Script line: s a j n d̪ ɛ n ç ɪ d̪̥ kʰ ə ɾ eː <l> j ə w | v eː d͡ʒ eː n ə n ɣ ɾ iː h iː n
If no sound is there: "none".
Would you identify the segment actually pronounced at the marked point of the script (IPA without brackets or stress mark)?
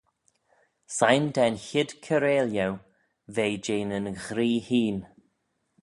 l